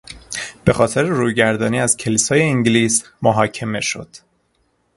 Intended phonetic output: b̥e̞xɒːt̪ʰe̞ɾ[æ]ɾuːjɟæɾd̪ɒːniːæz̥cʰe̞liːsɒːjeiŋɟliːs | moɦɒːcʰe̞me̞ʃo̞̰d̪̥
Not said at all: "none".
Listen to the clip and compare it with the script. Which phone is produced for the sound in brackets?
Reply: e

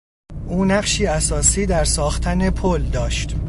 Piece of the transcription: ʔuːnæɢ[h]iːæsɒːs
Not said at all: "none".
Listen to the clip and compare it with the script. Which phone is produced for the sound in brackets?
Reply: ʃ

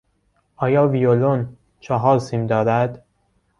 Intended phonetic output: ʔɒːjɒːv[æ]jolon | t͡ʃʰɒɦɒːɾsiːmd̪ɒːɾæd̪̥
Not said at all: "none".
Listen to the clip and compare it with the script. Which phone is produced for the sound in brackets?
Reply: i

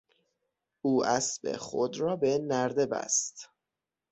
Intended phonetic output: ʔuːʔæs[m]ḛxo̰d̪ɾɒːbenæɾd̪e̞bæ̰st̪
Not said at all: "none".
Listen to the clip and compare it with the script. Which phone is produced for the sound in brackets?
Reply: b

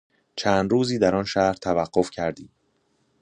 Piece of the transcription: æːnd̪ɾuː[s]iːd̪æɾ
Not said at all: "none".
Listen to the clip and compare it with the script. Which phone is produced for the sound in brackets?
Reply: z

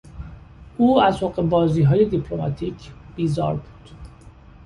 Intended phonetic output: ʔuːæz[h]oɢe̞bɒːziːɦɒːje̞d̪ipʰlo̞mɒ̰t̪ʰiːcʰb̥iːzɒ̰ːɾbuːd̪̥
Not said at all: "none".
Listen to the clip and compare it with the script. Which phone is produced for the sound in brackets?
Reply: h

